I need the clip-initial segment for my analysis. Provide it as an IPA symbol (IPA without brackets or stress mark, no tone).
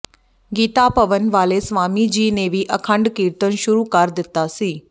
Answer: ɡ